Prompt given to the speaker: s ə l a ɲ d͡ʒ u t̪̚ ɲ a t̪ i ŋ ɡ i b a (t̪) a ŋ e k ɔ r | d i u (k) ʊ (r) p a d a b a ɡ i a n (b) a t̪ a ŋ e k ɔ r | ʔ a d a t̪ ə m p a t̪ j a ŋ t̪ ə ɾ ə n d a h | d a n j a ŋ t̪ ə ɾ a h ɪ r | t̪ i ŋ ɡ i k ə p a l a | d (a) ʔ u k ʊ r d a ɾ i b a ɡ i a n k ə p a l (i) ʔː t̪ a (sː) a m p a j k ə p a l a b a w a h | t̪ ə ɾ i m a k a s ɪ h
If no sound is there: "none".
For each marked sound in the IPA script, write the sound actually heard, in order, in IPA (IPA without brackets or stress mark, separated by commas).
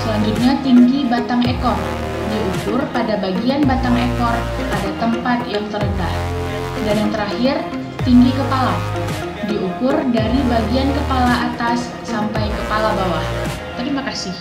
t̪, k, r, b, i, a, sː